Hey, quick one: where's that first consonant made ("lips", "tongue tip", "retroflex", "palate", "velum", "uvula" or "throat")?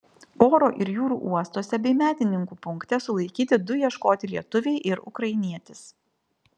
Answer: tongue tip